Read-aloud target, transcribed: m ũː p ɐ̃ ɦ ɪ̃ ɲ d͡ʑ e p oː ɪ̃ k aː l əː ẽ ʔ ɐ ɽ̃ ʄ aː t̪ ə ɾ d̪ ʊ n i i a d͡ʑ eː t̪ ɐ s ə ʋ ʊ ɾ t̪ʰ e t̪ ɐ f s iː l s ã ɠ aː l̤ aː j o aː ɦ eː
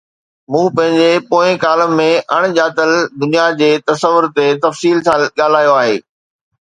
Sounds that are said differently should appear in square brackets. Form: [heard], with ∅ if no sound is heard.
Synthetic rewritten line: m ũː p ɐ̃ ɦ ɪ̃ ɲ d͡ʑ e p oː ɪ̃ k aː l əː ẽ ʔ ɐ ɽ̃ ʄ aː t̪ ə [l] d̪ ʊ n i [j] a d͡ʑ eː t̪ ɐ s ə ʋ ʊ ɾ [t̪] e t̪ ɐ f s iː l s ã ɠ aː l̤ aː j o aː ɦ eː

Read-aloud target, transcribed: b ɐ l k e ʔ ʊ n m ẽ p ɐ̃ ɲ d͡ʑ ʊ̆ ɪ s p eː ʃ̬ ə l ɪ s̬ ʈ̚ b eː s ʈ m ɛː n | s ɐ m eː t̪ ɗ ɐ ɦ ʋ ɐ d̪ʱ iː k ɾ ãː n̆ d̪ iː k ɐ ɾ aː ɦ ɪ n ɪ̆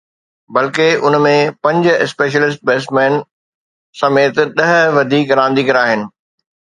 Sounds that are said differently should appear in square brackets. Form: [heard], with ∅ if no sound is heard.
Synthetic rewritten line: b ɐ l k e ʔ ʊ n m ẽ p ɐ̃ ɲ d͡ʑ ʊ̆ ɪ s p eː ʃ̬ ə l ɪ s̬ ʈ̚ b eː s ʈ m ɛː n | s ɐ m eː t̪ ɗ ɐ ɦ ʋ ɐ d̪ʱ iː k ɾ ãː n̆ d̪ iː k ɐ ɾ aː ɦ ɪ n ɪ̆

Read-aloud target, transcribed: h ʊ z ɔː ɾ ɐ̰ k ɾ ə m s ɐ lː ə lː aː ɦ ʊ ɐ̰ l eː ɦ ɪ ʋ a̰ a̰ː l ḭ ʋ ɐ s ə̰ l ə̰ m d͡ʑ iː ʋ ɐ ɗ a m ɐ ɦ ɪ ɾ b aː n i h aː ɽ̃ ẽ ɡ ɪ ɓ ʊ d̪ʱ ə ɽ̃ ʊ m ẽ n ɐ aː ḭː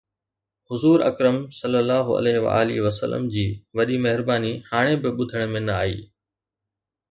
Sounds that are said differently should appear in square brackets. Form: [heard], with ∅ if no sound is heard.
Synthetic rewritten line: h ʊ z [uː] ɾ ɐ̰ k ɾ ə m s ɐ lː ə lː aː ɦ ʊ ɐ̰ l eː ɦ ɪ ʋ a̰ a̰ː l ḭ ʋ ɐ s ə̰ l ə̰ m d͡ʑ iː ʋ ɐ ɗ [i] m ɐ ɦ ɪ ɾ b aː n i h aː ɽ̃ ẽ [b] ɪ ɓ ʊ d̪ʱ ə ɽ̃ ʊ m ẽ n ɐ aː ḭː

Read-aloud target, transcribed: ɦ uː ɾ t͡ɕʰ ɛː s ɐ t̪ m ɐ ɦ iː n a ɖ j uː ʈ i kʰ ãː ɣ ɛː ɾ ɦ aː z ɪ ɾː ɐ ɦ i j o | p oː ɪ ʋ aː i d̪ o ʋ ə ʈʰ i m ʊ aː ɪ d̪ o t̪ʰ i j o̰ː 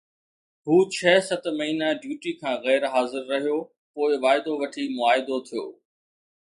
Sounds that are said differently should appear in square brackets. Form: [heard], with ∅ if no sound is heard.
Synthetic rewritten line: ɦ uː [∅] t͡ɕʰ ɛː s ɐ t̪ m ɐ ɦ iː n a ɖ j uː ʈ i kʰ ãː ɣ ɛː ɾ ɦ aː z ɪ ɾː ɐ ɦ i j o | p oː ɪ ʋ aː [ɪ] d̪ o ʋ [ɐ] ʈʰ i m ʊ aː ɪ d̪ o t̪ʰ i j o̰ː

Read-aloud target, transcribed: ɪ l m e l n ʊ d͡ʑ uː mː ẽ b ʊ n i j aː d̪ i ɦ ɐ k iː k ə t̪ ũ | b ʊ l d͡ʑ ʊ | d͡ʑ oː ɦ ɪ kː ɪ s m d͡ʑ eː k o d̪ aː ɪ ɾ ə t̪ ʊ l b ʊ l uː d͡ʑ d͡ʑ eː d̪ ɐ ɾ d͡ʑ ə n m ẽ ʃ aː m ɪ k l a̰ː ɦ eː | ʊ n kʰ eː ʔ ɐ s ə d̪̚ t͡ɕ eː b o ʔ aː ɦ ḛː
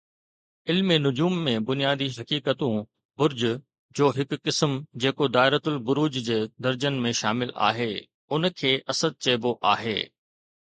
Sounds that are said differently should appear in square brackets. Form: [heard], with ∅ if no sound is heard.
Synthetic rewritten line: ɪ l m e [∅] n ʊ d͡ʑ uː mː ẽ b ʊ n i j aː d̪ i ɦ ɐ k iː k ə t̪ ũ | b ʊ [ɾ] d͡ʑ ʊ | d͡ʑ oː ɦ ɪ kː ɪ s m d͡ʑ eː k o d̪ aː ɪ ɾ ə t̪ ʊ l b ʊ [ɾ] uː d͡ʑ d͡ʑ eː d̪ ɐ ɾ d͡ʑ ə n m ẽ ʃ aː m ɪ [∅] l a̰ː ɦ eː | ʊ n kʰ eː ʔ ɐ s ə d̪̚ t͡ɕ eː b o ʔ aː ɦ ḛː

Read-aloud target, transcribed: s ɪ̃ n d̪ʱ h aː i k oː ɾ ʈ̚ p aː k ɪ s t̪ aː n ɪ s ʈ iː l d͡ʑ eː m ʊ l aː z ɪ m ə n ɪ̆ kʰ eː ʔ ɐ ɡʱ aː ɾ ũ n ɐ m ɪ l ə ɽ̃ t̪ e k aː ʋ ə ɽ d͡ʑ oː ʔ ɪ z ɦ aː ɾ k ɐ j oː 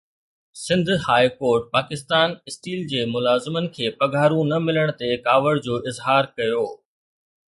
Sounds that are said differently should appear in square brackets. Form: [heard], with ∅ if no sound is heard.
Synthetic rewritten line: s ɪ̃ n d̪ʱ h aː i k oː ɾ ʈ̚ p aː k ɪ s t̪ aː n ɪ s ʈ iː l d͡ʑ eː m ʊ l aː z ɪ m ə n ɪ̆ kʰ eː [p] ɐ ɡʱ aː ɾ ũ n ɐ m ɪ l ə ɽ̃ t̪ e k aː ʋ ə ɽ d͡ʑ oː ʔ ɪ z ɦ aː ɾ k ɐ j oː

